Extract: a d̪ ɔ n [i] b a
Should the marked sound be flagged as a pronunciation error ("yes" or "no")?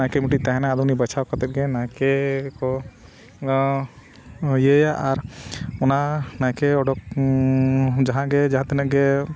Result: no